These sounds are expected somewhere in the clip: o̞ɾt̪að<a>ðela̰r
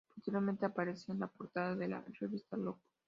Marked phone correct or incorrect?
correct